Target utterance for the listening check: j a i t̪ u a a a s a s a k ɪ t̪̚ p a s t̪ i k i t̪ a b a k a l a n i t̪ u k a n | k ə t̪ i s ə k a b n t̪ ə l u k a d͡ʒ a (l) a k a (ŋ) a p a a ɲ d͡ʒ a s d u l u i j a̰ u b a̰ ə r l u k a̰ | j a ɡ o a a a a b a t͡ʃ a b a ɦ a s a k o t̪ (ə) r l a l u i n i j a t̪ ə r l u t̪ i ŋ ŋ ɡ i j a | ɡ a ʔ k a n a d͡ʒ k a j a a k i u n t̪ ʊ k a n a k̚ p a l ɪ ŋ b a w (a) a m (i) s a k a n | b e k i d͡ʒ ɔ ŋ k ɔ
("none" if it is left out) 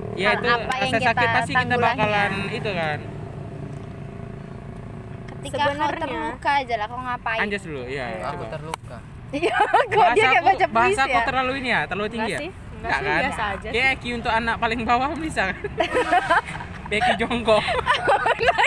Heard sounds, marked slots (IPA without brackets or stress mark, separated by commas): l, ŋ, ə, a, i